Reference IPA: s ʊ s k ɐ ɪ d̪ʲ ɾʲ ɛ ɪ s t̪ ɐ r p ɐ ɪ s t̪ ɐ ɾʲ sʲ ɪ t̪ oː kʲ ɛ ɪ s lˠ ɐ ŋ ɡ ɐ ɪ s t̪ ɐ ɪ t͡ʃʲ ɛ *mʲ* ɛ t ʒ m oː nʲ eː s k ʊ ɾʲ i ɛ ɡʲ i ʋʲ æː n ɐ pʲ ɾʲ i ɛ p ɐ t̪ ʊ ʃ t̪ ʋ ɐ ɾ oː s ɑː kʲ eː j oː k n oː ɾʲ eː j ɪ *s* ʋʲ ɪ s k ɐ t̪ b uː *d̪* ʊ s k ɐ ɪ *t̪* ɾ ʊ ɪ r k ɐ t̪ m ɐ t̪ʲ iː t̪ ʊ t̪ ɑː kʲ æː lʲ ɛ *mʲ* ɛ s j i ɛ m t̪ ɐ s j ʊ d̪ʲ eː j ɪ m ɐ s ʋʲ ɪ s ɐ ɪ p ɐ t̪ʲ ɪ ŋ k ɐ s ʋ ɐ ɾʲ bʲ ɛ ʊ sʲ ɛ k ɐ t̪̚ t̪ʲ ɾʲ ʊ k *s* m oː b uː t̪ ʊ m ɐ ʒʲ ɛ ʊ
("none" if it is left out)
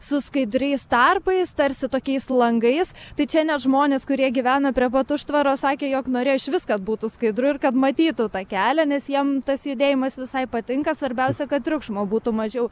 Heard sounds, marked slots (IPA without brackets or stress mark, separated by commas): nʲ, ʃ, t̪, d̪, nʲ, ʃ